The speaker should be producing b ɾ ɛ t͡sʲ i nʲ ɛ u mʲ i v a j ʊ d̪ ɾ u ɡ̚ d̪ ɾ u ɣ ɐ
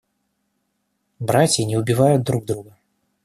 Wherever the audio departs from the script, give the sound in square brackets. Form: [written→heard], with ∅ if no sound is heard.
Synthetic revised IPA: b ɾ [ɛ→a] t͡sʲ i nʲ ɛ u [mʲ→bʲ] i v a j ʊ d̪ ɾ u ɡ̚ d̪ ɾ u ɣ ɐ